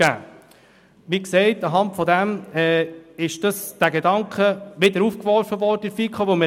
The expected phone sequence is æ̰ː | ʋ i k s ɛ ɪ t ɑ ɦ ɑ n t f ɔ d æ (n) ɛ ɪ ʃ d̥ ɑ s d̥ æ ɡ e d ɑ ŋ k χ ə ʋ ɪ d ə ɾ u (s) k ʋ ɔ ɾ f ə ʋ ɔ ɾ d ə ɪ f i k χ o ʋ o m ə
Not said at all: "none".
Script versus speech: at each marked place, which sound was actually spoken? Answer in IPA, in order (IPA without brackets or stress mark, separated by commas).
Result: m, f